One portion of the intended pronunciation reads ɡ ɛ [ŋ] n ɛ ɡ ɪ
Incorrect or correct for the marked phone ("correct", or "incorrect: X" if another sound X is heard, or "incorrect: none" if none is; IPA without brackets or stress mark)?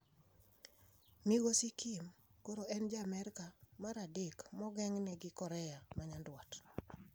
correct